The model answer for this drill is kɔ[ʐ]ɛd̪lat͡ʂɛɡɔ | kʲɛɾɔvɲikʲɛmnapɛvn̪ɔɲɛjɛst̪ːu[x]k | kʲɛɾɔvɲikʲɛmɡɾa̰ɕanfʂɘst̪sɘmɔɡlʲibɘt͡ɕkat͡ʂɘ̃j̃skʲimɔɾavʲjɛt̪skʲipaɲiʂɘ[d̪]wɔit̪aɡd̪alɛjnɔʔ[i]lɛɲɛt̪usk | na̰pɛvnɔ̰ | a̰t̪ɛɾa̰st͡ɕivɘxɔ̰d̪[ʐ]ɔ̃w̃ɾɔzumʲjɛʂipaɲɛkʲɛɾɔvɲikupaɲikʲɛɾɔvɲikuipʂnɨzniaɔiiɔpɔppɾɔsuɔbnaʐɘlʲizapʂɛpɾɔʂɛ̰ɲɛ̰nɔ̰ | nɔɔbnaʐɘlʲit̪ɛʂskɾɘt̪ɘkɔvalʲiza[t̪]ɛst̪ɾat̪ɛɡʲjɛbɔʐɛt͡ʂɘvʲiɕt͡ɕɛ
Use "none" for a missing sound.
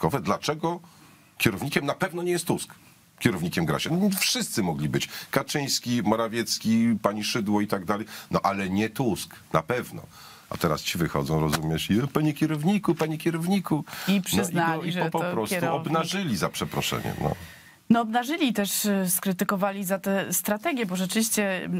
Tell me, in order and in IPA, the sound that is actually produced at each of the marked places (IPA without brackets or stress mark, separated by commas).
v, s, d̪, a, z, t̪